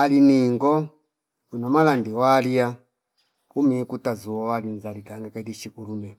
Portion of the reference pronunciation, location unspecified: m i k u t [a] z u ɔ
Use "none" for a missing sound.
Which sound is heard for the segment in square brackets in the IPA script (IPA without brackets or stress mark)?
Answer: a